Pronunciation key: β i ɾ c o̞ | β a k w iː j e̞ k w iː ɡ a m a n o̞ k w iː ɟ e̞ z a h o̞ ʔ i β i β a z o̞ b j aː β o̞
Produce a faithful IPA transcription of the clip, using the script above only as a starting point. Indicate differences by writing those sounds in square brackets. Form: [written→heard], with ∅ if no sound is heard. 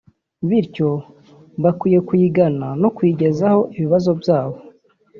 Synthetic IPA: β i ɾ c o̞ | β a k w iː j e̞ k w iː ɡ a [m→n] a n o̞ k w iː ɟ e̞ z a h o̞ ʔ i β i β a z o̞ b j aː β o̞